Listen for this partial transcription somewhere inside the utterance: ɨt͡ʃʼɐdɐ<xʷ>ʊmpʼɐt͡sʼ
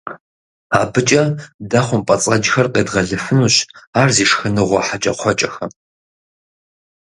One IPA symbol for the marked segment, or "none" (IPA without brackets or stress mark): χʷ